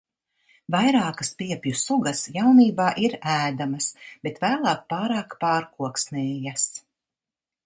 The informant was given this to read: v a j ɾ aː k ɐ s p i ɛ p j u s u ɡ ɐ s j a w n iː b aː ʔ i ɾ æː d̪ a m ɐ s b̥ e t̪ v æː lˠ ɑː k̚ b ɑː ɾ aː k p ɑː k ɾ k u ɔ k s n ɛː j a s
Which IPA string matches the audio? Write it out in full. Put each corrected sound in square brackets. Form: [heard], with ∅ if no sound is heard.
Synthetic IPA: v a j ɾ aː k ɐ s p i ɛ p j u s u ɡ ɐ s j a w n iː b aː ʔ i ɾ æː d̪ a m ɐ s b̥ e t̪ v æː lˠ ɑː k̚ [p] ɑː ɾ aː k p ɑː [∅] ɾ k u ɔ k s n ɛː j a s